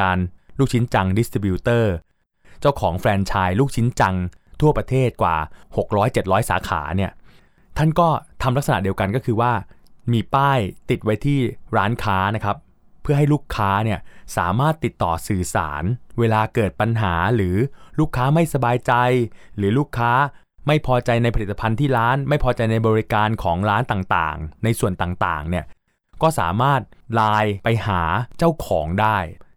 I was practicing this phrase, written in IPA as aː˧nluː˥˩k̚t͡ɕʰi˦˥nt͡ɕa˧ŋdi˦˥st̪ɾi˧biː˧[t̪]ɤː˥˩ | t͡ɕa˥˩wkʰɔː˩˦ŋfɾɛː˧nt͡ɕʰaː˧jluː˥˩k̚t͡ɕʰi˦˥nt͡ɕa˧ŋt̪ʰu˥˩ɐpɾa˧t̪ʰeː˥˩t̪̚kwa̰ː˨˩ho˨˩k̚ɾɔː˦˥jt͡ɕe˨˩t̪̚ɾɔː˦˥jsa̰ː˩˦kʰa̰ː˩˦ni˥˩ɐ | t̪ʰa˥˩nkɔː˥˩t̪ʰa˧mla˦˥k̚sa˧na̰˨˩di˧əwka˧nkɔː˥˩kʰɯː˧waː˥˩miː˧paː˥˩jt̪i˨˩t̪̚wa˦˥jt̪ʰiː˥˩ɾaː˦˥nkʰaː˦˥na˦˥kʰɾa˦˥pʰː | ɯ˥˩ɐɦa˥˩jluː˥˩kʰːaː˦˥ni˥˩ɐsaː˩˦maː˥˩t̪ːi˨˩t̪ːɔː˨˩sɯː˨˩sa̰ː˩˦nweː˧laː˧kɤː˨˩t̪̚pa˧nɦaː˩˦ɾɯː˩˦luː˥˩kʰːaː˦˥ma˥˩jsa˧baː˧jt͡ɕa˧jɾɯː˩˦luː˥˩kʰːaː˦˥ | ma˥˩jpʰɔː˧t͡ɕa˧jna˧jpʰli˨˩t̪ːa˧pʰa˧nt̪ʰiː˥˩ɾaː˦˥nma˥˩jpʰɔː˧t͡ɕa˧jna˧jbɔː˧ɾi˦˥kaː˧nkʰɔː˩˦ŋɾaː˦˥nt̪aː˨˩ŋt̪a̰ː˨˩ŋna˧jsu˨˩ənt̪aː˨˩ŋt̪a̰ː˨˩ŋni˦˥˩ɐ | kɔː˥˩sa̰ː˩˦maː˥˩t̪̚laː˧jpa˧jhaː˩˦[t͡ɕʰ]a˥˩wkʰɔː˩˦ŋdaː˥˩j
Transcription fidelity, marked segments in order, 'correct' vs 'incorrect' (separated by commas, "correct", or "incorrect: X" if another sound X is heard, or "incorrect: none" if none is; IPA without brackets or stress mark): correct, incorrect: t͡ɕ